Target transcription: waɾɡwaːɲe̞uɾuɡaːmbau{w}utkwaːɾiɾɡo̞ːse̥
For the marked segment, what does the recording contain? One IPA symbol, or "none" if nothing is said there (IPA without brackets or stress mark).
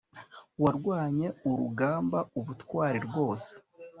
β